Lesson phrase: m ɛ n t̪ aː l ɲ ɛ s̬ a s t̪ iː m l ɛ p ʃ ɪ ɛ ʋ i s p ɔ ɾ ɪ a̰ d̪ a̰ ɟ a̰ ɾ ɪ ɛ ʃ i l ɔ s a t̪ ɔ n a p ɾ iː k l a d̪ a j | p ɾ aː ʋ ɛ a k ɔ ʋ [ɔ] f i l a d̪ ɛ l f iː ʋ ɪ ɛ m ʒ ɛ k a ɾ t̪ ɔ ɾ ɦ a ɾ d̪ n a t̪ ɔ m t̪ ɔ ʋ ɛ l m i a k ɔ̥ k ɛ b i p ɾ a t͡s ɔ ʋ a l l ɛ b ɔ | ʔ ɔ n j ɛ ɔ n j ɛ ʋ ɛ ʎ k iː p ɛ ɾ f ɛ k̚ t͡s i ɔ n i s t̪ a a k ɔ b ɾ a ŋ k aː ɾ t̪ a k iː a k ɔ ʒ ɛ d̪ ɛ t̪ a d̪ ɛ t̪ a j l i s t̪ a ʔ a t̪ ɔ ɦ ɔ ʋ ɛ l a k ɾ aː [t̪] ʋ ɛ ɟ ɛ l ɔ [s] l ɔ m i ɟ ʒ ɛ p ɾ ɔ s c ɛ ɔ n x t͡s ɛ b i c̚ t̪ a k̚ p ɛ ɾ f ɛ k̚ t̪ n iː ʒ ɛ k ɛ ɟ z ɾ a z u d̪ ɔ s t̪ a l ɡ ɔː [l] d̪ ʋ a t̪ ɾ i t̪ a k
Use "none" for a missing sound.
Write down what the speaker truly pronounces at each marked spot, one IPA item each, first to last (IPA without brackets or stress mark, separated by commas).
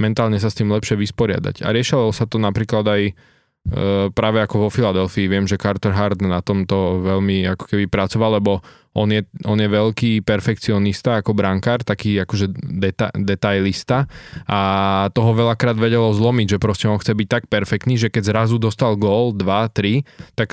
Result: ɔ, d̪, z, l